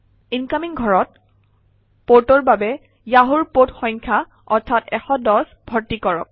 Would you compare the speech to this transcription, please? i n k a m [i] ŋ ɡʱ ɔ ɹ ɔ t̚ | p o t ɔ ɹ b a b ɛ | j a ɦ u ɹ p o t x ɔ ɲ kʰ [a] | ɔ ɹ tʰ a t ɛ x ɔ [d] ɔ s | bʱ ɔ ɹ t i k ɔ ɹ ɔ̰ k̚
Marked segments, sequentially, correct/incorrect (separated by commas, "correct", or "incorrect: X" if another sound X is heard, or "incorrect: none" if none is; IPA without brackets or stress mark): correct, correct, correct